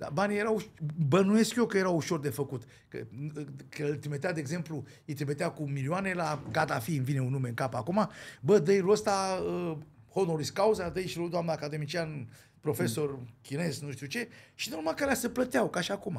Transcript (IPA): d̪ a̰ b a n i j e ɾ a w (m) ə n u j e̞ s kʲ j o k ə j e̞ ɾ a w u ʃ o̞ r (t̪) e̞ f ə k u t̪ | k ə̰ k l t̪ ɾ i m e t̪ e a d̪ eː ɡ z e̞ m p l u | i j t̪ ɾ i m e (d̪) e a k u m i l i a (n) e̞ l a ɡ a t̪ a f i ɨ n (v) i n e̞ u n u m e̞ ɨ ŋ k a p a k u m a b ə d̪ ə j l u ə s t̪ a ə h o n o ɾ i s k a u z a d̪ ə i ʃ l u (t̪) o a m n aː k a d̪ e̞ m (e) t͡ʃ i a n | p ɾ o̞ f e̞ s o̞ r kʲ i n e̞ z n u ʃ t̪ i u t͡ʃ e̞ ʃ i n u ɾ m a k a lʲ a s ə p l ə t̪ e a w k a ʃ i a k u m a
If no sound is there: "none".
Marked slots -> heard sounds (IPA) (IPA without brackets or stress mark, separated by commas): b, d̪, t̪, n, v, d̪, i